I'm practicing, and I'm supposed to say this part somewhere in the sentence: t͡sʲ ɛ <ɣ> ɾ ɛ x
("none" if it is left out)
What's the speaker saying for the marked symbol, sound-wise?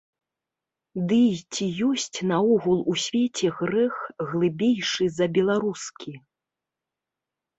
ɣ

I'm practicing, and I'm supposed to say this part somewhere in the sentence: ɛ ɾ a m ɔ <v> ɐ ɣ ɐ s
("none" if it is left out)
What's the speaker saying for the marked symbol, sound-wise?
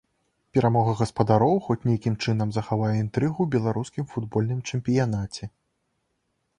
ɣ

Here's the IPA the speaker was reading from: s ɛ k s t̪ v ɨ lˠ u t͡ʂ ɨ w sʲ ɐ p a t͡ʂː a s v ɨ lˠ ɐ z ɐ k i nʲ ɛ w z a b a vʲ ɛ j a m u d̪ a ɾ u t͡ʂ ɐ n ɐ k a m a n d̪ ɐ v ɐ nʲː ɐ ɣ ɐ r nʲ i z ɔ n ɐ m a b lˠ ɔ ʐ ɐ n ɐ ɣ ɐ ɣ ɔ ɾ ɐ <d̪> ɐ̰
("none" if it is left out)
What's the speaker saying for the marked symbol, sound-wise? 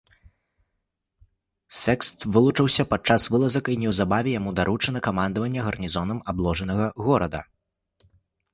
d̪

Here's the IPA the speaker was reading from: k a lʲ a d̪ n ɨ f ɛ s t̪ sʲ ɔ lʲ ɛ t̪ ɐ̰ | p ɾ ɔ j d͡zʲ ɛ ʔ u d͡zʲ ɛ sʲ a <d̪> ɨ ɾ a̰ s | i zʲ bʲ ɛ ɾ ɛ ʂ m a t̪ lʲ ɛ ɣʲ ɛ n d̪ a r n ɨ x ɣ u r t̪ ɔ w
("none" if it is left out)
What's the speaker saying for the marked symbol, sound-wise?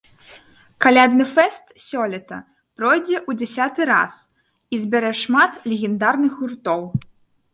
t̪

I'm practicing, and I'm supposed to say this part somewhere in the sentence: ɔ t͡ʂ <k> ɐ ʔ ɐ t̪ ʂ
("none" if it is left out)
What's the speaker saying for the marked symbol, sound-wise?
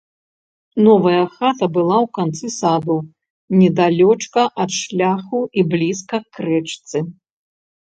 k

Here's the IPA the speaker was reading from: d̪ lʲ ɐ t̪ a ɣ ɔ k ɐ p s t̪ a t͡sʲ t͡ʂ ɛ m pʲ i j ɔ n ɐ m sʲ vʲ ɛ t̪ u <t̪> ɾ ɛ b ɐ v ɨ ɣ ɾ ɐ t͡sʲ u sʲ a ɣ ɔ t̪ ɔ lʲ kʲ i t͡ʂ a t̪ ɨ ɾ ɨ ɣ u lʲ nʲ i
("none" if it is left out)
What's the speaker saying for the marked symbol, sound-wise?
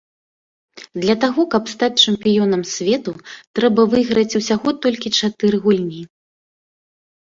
t̪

